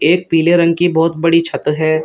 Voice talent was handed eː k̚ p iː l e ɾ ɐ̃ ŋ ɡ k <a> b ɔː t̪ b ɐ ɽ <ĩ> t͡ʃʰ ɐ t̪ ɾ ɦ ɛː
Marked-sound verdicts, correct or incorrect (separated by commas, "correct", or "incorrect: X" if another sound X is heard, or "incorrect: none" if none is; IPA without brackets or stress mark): incorrect: i, incorrect: i